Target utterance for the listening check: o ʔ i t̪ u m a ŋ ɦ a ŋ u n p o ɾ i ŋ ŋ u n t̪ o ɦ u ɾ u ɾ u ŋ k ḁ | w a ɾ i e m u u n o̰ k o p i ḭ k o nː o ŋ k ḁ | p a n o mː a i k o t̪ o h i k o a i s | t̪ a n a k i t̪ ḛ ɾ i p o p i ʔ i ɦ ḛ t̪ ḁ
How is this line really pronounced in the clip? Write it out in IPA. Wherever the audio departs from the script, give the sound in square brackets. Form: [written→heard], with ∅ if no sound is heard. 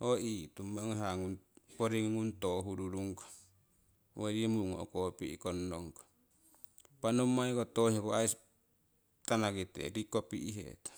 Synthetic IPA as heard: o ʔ i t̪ u m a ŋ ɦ a ŋ u n p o ɾ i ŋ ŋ u n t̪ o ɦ u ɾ u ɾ u ŋ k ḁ | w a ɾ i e m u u [n→ŋ] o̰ k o p i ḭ k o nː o ŋ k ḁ | p a n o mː a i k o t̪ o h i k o a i s | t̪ a n a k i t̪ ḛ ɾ i [p→k] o p i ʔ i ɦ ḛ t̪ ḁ